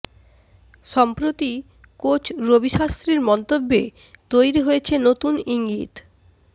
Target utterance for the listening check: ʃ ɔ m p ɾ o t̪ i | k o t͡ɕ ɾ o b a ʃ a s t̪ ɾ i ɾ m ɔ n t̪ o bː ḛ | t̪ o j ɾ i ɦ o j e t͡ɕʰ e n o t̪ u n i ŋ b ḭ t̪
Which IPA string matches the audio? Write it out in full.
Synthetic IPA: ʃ ɔ m p ɾ o t̪ i | k o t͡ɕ ɾ o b i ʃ a s t̪ ɾ i ɾ m ɔ n t̪ o bː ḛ | t̪ o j ɾ i ɦ o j e t͡ɕʰ e n o t̪ u n i ŋ ɡ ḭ t̪

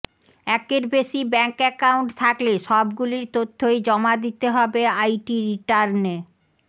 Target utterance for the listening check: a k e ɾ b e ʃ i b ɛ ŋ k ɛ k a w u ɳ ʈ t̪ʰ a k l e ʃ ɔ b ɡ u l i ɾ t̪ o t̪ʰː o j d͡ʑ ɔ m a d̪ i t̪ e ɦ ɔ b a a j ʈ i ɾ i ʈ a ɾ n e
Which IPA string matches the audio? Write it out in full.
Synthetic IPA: ɛ k e ɾ b e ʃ i b ɛ ŋ k ɛ k a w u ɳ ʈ t̪ʰ a k l e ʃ ɔ b ɡ u l i ɾ t̪ o t̪ʰː o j d͡ʑ ɔ m a d̪ i t̪ e ɦ ɔ b e a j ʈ i ɾ i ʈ a ɾ n e

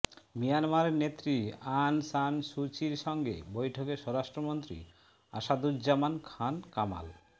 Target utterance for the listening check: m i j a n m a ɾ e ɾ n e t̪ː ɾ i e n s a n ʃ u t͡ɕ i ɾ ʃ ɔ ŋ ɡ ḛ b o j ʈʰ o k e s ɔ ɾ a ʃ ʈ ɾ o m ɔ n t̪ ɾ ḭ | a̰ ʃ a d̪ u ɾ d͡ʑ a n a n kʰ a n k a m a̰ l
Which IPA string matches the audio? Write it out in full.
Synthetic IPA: m i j a n m a ɾ e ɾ n e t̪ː ɾ i a n s a n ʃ u t͡ɕ i ɾ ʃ ɔ ŋ ɡ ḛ b o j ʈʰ o k e ʃ ɔ ɾ a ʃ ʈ ɾ o m o n t̪ ɾ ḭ | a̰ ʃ a d̪ u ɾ d͡ʑ a m a n kʰ a n k a m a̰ l

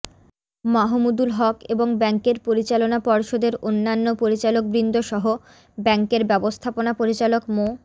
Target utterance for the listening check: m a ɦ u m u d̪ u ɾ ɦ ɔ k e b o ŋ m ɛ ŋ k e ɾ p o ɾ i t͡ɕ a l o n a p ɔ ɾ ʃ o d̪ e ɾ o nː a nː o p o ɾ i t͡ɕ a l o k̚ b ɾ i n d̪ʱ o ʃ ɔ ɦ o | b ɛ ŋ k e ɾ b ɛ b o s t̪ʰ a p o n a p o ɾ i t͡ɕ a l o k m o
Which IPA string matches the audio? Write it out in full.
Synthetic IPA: m a ɦ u m u d̪ u l ɦ ɔ k e b o ŋ b ɛ ŋ k e ɾ p o ɾ i t͡ɕ a l o n a p ɔ ɾ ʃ o d̪ e ɾ o nː a nː o p o ɾ i t͡ɕ a l o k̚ b ɾ i n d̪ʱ o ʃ ɔ ɦ o | b ɛ ŋ k e ɾ b ɛ b o s t̪ʰ a p o n a p o ɾ i t͡ɕ a l o k m o

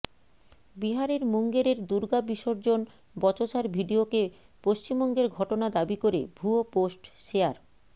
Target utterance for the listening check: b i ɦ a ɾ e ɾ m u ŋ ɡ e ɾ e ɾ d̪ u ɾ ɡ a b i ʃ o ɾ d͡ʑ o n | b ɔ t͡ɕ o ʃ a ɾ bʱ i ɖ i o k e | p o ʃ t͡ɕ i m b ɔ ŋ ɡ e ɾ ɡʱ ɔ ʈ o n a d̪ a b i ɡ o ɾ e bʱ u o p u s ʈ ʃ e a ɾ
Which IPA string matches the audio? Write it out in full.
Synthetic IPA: b i ɦ a ɾ e ɾ m u ŋ ɡ e ɾ e ɾ d̪ u ɾ ɡ a b i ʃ o ɾ d͡ʑ o n | b ɔ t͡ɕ o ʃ a ɾ bʱ i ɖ i o k e | p o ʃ t͡ɕ i m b ɔ ŋ ɡ e ɾ ɡʱ ɔ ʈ o n a d̪ a b i k o ɾ e bʱ u o p o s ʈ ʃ e a ɾ

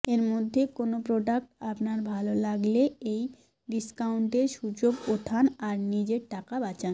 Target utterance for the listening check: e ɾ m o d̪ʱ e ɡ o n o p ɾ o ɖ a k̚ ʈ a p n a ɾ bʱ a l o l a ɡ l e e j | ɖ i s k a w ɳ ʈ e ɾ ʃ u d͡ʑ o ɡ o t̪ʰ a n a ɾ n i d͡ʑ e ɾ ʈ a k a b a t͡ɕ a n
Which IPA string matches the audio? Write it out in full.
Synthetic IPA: e ɾ m o d̪ʱː e k o n o p ɾ o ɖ a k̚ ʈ a p n a ɾ bʱ a l o l a ɡ l e e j | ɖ i s k a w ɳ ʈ e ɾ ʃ u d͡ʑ o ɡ o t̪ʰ a n a ɾ n i d͡ʑ e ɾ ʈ a k a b a t͡ɕ a n

